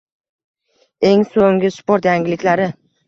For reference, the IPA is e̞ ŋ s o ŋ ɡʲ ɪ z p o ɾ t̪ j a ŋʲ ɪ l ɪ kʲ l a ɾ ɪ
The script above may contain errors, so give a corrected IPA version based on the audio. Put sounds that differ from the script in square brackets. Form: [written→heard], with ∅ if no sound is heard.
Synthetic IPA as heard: e̞ ŋ s o ŋ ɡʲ ɪ [z→s] p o ɾ t̪ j a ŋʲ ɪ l ɪ kʲ l a ɾ ɪ